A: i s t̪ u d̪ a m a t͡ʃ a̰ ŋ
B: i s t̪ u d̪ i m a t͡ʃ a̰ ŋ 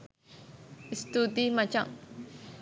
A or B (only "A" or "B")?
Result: B